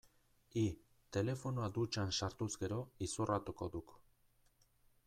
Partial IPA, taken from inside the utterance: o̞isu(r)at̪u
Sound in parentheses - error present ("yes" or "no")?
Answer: no